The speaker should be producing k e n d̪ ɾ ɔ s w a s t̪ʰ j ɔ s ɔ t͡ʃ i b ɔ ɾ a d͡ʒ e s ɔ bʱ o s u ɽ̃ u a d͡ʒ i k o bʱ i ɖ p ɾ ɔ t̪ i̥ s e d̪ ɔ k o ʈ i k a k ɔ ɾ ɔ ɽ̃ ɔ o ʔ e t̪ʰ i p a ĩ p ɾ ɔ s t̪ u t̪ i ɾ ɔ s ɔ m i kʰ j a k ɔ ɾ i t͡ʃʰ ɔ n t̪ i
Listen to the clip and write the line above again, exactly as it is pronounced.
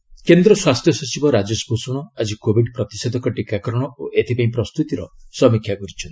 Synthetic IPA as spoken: k e n d̪ ɾ ɔ s w a s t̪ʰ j ɔ s ɔ t͡ʃ i b ɔ ɾ a d͡ʒ e s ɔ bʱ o s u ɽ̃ ɔ a d͡ʒ i k o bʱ i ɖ p ɾ ɔ t̪ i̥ s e d̪ ɔ k ɔ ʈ i k a k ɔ ɾ ɔ ɽ̃ ɔ o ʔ e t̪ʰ i p a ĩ p ɾ ɔ s t̪ u t̪ i ɾ ɔ s ɔ m i kʰ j a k ɔ ɾ i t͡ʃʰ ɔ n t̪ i

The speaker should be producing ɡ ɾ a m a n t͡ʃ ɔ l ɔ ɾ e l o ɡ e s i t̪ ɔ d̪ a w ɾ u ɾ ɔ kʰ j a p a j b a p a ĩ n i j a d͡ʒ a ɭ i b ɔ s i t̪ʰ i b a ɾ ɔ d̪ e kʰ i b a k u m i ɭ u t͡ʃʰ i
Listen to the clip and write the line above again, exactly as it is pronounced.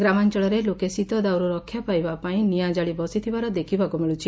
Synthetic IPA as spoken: ɡ ɾ a m a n t͡ʃ ɔ ɭ ɔ ɾ e l o k e s i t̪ ɔ d̪ a w ɾ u ɾ ɔ kʰ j a p a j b a p a ĩ n i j a d͡ʒ a ɭ i b ɔ s i t̪ʰ i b a ɾ ɔ d̪ e kʰ i b a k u m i ɭ u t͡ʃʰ i

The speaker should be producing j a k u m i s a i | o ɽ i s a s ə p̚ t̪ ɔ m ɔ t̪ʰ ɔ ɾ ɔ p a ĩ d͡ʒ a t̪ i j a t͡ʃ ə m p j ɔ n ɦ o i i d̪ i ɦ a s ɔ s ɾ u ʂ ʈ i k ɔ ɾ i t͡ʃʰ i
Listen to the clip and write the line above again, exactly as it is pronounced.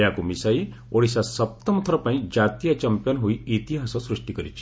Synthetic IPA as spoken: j a k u m i s a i | o ɽ i s a s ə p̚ t̪ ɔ m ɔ t̪ʰ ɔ ɾ ɔ p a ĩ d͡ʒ a t̪ i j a t͡ʃ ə m p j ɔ n ɦ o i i t̪ i ɦ a s ɔ s ɾ u ʂ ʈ i k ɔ ɾ i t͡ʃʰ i

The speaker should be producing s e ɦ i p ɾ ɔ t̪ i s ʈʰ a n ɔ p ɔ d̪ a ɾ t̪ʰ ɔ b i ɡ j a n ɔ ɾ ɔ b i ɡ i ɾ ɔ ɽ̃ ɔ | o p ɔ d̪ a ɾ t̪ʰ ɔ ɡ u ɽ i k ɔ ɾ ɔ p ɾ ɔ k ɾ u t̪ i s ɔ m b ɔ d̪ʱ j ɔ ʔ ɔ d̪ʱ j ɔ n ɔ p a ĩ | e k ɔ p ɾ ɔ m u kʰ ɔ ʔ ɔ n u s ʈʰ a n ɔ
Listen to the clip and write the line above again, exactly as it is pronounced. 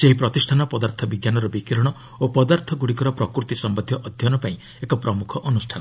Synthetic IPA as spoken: s e ɦ i p ɾ ɔ t̪ i s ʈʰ a n ɔ p ɔ d̪ a ɾ t̪ʰ ɔ b i ɡ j a n ɔ ɾ ɔ b i k i ɾ ɔ ɽ̃ ɔ | o p ɔ d̪ a ɾ t̪ʰ ɔ ɡ u ɽ i k ɔ ɾ ɔ p ɾ ɔ k ɾ u t̪ i s ɔ m b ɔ d̪ʱ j ɔ ʔ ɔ d̪ʱ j ɔ n ɔ p a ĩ | e k ɔ p ɾ ɔ m u kʰ ɔ ʔ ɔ n u s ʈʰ a n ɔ

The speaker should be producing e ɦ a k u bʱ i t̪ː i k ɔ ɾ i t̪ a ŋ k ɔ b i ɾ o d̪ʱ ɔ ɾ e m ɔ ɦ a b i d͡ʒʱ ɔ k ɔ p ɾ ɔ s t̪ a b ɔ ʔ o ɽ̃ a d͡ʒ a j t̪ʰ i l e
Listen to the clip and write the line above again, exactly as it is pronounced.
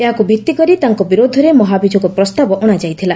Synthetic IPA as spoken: e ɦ a k u bʱ i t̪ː i k ɔ ɾ i t̪ a ŋ k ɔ b i ɾ o d̪ʱ ɔ ɾ e m ɔ ɦ a b i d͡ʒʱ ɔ k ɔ p ɾ ɔ s t̪ a b ɔ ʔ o ɽ̃ a d͡ʒ a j t̪ʰ i l a

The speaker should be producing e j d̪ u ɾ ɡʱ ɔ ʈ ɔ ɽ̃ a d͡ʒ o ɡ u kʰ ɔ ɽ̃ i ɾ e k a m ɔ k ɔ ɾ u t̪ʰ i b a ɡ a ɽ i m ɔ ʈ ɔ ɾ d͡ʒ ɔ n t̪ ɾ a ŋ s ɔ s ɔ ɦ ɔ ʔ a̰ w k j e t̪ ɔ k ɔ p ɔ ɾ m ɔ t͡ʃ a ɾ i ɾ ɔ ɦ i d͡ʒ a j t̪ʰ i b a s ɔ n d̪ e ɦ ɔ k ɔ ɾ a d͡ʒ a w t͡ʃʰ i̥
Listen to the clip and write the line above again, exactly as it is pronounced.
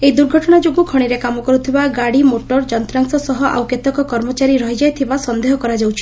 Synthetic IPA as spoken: e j d̪ u ɾ ɡʱ ɔ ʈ ɔ ɽ̃ a d͡ʒ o ɡ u kʰ ɔ ɽ̃ i ɾ e k a m ɔ k ɔ ɾ u t̪ʰ i b a ɡ a ɽ i m o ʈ ɔ ɾ d͡ʒ ɔ n t̪ ɾ a ŋ s ɔ s ɔ ɦ ɔ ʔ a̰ w k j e t̪ ɔ k ɔ k ɔ ɾ m ɔ t͡ʃ a ɾ i ɾ ɔ ɦ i d͡ʒ a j t̪ʰ i b a s ɔ n d̪ e ɦ ɔ k ɔ ɾ a d͡ʒ a w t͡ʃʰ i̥

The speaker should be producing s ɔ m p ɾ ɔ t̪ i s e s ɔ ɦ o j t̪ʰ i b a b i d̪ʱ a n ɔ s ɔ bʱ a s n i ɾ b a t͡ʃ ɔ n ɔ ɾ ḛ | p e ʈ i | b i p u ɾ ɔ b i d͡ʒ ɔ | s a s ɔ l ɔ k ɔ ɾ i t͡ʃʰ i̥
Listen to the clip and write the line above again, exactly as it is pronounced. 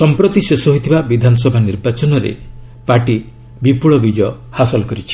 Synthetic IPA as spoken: s ɔ m p ɾ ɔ t̪ i s e s ɔ ɦ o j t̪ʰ i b a b i d̪ʱ a n ɔ s ɔ bʱ a n i ɾ b a t͡ʃ ɔ n ɔ ɾ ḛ | p a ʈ i | b i p u ɭ ɔ b i d͡ʒ ɔ | h a s ɔ l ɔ k ɔ ɾ i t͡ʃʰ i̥

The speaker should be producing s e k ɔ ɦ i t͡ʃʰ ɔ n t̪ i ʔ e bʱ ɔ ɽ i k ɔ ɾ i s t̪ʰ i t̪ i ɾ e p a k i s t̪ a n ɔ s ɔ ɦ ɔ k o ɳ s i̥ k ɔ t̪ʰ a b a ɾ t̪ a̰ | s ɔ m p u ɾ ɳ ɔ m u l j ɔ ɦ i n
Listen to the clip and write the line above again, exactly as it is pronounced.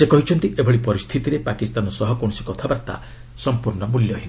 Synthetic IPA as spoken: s e k ɔ ɦ i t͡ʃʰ ɔ n t̪ i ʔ e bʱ ɔ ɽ i p ɔ ɾ i s t̪ʰ i t̪ i ɾ e p a k i s t̪ a n ɔ s ɔ ɦ ɔ k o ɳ s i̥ k ɔ t̪ʰ a b a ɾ t̪ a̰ | s ɔ m p u ɾ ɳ ɔ m u l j ɔ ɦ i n

